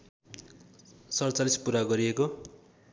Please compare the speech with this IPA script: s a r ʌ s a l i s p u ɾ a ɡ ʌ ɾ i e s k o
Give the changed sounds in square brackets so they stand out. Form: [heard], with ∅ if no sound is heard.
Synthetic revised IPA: s [ʌ] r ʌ [t͡s] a l i s p u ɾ a ɡ ʌ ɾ i e [∅] k o